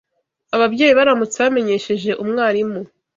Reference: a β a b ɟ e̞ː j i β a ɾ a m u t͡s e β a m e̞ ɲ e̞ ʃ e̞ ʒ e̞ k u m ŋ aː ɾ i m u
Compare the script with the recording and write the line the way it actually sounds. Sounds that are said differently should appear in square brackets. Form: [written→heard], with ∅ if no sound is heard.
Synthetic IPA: a β a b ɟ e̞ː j i β a ɾ a m u t͡s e β a m e̞ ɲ e̞ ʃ e̞ ʒ e̞ [k→ʔ] u m ŋ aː ɾ i m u